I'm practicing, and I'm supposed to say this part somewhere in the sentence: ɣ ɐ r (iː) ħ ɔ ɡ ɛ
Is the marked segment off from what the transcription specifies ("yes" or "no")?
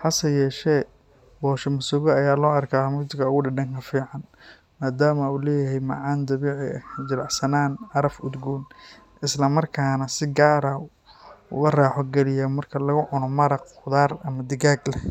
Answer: yes